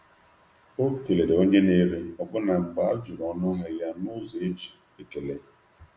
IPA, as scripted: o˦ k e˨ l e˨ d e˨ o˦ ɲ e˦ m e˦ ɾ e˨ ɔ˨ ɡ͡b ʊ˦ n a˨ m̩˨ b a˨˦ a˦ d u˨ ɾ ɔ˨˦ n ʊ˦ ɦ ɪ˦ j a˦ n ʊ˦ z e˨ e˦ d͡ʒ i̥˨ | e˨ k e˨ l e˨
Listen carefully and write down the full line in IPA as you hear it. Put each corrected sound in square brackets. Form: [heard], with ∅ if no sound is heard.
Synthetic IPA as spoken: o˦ k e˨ l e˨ d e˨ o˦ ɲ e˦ [n] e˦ ɾ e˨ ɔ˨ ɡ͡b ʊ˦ n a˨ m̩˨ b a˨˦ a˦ [d͡ʒ] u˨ ɾ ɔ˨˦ n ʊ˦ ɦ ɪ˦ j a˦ n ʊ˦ z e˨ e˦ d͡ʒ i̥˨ | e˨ k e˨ l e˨